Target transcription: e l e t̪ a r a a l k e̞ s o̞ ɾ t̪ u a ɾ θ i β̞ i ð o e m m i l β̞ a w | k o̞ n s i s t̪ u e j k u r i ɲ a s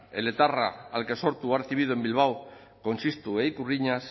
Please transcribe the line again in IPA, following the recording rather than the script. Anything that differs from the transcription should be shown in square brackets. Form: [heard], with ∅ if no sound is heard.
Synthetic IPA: e l e t̪ a r a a l k e̞ s o̞ ɾ t̪ u a ɾ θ i β̞ i ð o e m [b] i l β̞ a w | k o̞ n s i s t̪ u e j k u r i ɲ a s

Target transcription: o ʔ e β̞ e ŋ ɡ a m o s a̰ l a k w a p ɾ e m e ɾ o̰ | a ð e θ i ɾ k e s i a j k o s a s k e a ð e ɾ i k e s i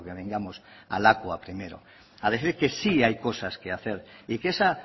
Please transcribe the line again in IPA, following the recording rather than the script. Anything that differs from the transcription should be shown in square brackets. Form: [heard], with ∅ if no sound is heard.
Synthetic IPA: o [k] e β̞ e ŋ ɡ a m o s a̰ l a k w a p ɾ [i] m e ɾ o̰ | a ð e θ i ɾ k e s i a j k o s a s k e a [θ] e ɾ i k e s [a]

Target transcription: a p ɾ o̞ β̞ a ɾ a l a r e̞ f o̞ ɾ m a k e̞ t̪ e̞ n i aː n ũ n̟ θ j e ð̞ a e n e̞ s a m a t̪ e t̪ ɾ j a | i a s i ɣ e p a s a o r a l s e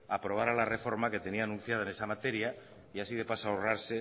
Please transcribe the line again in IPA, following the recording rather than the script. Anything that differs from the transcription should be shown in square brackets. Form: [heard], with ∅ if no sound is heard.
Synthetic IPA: a p ɾ o̞ β̞ a ɾ a l a r e̞ f o̞ ɾ m a k e̞ t̪ e̞ n i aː n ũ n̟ θ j [a] ð̞ a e n e̞ s a m a t̪ e [∅] ɾ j a | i a s i [ð] e p a s a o r a [ɾ] s e

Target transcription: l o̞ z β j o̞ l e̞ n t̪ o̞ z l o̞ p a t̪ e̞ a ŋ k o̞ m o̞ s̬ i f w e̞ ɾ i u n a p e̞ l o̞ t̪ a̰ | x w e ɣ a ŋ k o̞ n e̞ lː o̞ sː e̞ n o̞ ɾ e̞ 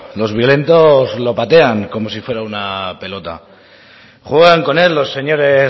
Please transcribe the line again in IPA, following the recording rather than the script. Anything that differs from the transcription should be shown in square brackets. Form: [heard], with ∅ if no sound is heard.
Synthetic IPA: l o̞ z β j o̞ l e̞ n t̪ o̞ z l o̞ p a t̪ e̞ a ŋ k o̞ m o̞ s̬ i f w e̞ ɾ [a] u n a p e̞ l o̞ t̪ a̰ | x w e ɣ a ŋ k o̞ n e̞ lː o̞ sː e̞ [ɲ] o̞ ɾ e̞

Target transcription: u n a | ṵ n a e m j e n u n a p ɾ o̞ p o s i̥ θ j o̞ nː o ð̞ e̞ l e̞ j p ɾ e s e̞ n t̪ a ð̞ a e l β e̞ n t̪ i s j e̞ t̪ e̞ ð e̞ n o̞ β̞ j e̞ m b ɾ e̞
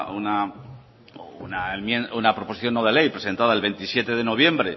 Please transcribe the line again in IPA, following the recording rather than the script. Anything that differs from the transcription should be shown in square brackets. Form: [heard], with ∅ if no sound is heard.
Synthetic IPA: u n a | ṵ n a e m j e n u n a p ɾ o̞ p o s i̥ θ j o̞ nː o ð̞ e̞ l e̞ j p ɾ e s e̞ n t̪ a ð̞ a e l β e̞ n t̪ i s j e̞ t̪ e̞ ð e̞ n o̞ β̞ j e̞ m b ɾ e̞

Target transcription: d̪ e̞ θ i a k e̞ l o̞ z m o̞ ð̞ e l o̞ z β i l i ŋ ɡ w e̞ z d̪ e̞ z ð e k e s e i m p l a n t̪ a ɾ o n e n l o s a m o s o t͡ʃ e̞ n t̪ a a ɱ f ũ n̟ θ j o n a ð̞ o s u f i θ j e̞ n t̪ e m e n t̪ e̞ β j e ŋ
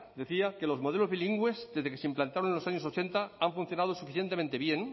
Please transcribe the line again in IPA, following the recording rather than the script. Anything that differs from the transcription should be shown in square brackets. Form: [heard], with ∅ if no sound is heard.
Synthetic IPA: d̪ e̞ θ i a k e̞ l o̞ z m o̞ ð̞ e l o̞ z β i l i ŋ ɡ w e̞ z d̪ e̞ z ð e k e s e i m p l a n t̪ a ɾ o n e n l o s a [ɲ] o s o t͡ʃ e̞ n t̪ a a ɱ f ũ n̟ θ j o n a ð̞ o s u f i θ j e̞ n t̪ e m e n t̪ e̞ β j e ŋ

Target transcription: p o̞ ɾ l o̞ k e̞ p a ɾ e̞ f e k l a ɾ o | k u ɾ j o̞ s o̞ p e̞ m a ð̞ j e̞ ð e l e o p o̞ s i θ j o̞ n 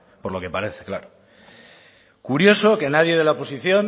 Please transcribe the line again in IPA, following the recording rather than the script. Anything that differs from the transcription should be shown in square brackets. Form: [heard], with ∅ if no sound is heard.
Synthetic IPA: p o̞ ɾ l o̞ k e̞ p a ɾ e̞ [θ] e k l a ɾ o | k u ɾ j o̞ s o̞ [k] e̞ [n] a ð̞ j e̞ ð e l [a] o p o̞ s i θ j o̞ n

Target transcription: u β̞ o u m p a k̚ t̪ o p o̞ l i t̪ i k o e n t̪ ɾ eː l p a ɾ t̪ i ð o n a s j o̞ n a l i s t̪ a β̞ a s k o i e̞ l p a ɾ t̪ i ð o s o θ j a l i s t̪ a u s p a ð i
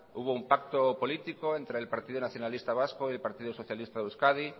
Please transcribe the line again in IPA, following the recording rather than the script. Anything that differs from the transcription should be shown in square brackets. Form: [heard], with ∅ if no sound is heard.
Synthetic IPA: u β̞ o u m p a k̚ t̪ o p o̞ l i t̪ i k o e n t̪ ɾ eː l p a ɾ t̪ i ð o n a [θ] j o̞ n a l i s t̪ a β̞ a s k o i e̞ l p a ɾ t̪ i ð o s o θ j a l i s t̪ a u s [k] a ð i

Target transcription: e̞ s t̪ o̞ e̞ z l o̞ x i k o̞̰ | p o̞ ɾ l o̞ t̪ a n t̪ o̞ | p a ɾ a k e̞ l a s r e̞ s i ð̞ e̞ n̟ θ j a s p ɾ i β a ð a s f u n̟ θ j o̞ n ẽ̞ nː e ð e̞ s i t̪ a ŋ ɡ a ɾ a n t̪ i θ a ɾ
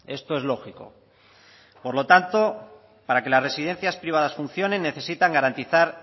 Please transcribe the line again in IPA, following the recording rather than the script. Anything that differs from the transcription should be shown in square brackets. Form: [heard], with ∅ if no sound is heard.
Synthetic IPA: e̞ s t̪ o̞ e̞ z l o̞ x i k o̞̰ | p o̞ ɾ l o̞ t̪ a n t̪ o̞ | p a ɾ a k e̞ l a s r e̞ s i ð̞ e̞ n̟ θ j a s p ɾ i β a ð a s f u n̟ θ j o̞ n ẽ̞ nː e [θ] e̞ s i t̪ a ŋ ɡ a ɾ a n t̪ i θ a ɾ

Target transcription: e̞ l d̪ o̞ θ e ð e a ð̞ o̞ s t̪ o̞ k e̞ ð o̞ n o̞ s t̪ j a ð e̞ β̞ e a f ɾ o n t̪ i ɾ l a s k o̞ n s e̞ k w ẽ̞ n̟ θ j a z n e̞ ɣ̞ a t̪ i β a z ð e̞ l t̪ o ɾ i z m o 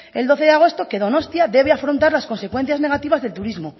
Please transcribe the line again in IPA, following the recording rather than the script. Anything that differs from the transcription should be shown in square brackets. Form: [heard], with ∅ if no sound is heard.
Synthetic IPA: e̞ l d̪ o̞ θ e ð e a [ɣ̞] o̞ s t̪ o̞ k e̞ ð o̞ n o̞ s t̪ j a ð e̞ β̞ e a f ɾ o n t̪ [a] ɾ l a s k o̞ n s e̞ k w [e̞] n̟ θ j a z n e̞ ɣ̞ a t̪ i β a z ð e̞ l t̪ [u] ɾ i z m o

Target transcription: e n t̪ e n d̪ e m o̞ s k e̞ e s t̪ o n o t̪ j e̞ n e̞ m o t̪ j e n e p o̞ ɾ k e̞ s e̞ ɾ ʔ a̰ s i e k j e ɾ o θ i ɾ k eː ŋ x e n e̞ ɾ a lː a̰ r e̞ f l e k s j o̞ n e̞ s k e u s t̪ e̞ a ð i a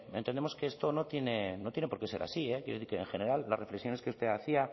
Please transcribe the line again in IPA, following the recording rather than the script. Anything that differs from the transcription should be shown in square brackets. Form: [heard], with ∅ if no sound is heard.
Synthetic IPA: e n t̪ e n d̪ e m o̞ s k e̞ e s t̪ o n o t̪ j e̞ n e̞ [n] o t̪ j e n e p o̞ ɾ k e̞ s e̞ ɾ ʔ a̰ s i e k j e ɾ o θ i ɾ k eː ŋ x e n e̞ ɾ a lː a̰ r e̞ f l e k s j o̞ n e̞ s k e u s t̪ e̞ a [θ] i a

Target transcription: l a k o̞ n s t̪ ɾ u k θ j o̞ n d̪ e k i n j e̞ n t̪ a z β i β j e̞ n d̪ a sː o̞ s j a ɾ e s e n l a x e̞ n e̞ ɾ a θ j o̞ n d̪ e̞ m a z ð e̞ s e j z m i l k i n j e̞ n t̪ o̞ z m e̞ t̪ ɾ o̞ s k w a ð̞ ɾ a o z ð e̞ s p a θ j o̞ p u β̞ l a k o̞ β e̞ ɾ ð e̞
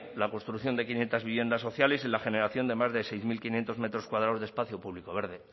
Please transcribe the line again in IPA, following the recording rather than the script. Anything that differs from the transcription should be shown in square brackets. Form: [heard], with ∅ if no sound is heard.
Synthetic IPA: l a k o̞ n s t̪ ɾ u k θ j o̞ n d̪ e k i n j e̞ n t̪ a z β i β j e̞ n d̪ a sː o̞ [θ] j a [l] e s e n l a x e̞ n e̞ ɾ a θ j o̞ n d̪ e̞ m a z ð e̞ s e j z m i l k i n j e̞ n t̪ o̞ z m e̞ t̪ ɾ o̞ s k w a ð̞ ɾ a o z ð e̞ s p a θ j o̞ p u β̞ l [i] k o̞ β e̞ ɾ ð e̞

